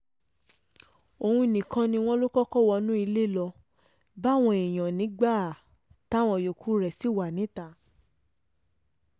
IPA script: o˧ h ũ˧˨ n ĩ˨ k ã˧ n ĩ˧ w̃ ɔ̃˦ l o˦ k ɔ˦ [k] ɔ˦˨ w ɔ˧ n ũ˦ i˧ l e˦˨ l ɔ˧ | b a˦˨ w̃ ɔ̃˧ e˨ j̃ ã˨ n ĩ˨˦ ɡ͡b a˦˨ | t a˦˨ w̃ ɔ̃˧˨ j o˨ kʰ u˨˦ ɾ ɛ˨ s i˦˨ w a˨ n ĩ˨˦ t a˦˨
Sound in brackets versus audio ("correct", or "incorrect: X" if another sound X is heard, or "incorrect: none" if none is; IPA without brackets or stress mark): correct